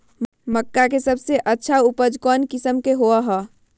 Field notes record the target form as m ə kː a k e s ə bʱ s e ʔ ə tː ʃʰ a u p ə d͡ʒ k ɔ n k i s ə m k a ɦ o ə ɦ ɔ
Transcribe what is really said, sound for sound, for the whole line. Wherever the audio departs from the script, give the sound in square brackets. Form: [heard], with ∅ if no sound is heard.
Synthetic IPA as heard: m ə kː a k e s ə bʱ s e ʔ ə tː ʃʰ a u p ə d͡ʒ k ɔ n k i s ə m k [e] ɦ o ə ɦ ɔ